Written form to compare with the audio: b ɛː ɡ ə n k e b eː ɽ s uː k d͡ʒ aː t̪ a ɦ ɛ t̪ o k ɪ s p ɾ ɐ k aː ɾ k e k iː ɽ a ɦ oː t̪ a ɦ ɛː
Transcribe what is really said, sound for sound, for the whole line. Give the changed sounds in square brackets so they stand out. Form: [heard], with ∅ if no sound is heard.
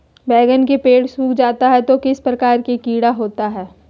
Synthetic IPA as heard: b ɛː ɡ ə n k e [p] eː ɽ s uː k d͡ʒ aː t̪ a ɦ ɛ t̪ o k ɪ s p ɾ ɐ k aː ɾ k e k iː ɽ a ɦ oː t̪ a ɦ ɛː